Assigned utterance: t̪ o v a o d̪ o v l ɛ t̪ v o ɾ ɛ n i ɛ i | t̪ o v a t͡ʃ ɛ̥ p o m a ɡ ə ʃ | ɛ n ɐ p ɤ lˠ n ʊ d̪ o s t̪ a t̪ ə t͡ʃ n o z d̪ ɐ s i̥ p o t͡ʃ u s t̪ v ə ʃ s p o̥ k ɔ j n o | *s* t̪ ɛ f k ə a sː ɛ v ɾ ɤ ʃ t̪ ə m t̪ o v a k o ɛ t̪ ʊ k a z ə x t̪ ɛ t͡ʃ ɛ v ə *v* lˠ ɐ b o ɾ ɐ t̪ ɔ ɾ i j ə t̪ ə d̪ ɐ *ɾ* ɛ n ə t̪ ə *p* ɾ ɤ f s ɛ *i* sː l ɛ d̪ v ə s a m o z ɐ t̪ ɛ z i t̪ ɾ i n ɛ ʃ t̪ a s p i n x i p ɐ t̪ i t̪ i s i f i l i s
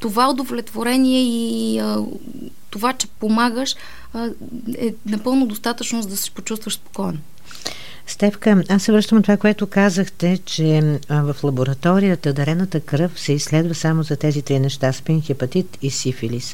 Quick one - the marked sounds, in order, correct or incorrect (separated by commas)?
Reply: correct, incorrect, correct, incorrect, correct